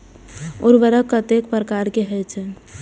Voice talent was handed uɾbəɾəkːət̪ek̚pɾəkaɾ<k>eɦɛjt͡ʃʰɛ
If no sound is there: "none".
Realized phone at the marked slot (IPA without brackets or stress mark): k